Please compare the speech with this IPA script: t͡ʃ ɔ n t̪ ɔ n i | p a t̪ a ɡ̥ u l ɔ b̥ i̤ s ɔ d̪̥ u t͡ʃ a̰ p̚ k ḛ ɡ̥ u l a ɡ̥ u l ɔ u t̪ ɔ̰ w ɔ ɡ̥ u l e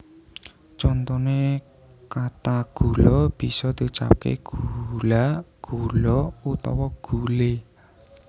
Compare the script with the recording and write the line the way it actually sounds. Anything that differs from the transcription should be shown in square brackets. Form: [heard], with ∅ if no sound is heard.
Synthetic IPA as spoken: t͡ʃ ɔ n t̪ ɔ n [e] | [k] a t̪ a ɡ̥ u l ɔ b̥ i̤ s ɔ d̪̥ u t͡ʃ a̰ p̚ k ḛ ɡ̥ u l a ɡ̥ u l ɔ u t̪ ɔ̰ w ɔ ɡ̥ u l e